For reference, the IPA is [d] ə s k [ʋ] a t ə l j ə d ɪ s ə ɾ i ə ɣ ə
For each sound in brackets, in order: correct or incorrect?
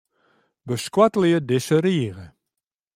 incorrect, incorrect

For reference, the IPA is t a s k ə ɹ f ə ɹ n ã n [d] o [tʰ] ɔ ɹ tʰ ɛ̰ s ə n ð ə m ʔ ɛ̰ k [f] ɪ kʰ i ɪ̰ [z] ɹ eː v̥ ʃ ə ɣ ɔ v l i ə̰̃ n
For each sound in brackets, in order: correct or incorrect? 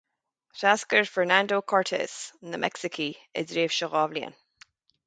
correct, incorrect, incorrect, correct

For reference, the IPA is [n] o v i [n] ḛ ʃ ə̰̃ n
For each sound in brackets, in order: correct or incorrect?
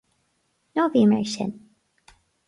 correct, incorrect

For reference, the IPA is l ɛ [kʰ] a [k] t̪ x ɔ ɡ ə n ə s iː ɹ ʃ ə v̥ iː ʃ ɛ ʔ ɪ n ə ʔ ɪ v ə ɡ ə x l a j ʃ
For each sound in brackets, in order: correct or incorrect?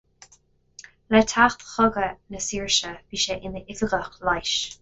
incorrect, incorrect

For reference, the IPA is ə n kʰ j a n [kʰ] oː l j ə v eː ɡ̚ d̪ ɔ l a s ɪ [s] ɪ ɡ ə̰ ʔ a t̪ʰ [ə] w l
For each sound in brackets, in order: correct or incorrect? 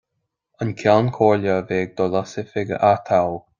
correct, incorrect, incorrect

